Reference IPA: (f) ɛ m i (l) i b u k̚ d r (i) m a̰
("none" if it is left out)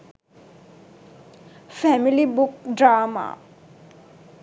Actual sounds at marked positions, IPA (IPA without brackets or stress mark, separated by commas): f, l, a